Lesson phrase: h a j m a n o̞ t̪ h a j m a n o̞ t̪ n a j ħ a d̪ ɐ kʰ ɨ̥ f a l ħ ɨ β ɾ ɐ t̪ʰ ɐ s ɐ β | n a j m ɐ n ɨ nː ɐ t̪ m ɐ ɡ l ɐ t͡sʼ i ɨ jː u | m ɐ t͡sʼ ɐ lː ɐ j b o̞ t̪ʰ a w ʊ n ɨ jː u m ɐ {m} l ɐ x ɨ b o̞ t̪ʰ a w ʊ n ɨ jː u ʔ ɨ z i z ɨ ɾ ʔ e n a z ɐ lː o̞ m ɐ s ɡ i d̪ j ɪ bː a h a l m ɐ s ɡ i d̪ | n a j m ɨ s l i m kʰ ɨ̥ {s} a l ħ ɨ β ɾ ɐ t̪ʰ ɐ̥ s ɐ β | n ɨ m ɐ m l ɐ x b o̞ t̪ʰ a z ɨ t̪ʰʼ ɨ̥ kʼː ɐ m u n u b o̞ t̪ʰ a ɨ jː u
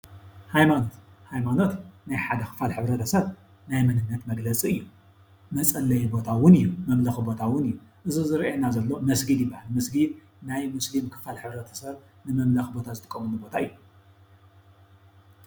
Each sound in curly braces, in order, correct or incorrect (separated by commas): correct, incorrect